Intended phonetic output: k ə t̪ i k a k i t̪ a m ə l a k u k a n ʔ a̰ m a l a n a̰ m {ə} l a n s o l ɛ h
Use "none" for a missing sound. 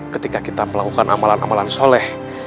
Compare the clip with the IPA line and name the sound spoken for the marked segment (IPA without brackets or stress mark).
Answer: a